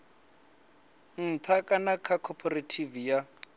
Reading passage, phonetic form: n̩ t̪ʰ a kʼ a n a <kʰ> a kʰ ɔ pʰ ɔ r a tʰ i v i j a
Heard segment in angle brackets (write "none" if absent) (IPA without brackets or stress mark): kʰ